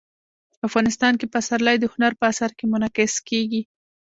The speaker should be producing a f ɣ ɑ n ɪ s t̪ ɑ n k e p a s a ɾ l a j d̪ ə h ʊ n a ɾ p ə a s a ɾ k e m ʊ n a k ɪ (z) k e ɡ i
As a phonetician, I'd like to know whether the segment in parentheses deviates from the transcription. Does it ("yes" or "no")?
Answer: yes